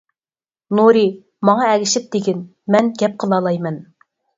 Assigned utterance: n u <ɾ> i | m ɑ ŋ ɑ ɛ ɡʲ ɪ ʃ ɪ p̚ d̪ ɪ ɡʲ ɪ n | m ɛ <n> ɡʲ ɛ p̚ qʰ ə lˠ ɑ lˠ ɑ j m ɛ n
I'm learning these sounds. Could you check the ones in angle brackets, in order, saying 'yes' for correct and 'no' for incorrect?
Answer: yes, yes

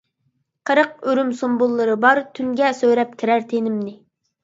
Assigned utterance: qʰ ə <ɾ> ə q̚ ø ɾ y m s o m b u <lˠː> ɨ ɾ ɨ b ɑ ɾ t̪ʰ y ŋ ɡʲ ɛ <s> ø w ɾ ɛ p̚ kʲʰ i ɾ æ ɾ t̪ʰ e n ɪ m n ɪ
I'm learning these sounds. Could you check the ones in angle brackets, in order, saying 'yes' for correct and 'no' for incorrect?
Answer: yes, yes, yes

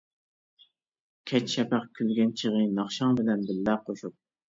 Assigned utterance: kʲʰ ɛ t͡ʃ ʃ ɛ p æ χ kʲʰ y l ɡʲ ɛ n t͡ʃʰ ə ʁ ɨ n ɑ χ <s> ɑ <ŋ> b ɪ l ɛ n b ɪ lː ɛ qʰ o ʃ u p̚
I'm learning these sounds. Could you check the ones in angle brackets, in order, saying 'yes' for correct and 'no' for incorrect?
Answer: no, yes

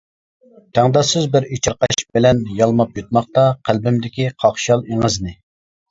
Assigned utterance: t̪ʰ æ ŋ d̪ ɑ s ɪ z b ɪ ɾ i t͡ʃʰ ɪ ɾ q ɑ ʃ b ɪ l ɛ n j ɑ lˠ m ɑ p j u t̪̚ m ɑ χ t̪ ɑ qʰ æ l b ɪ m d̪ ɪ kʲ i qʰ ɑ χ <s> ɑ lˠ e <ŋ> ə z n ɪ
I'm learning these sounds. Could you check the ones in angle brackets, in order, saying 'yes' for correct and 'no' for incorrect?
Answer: no, yes

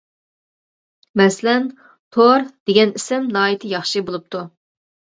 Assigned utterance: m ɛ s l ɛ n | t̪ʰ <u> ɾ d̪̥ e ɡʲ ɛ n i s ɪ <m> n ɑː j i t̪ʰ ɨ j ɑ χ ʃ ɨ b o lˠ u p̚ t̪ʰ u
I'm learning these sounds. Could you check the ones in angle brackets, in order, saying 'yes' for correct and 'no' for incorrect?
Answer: no, yes

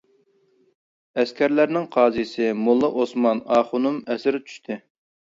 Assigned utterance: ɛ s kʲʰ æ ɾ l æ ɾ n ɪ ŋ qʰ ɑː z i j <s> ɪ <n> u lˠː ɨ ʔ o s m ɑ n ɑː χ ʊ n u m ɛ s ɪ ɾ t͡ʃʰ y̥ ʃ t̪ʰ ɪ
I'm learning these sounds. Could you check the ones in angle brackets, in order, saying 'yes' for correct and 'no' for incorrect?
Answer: yes, no

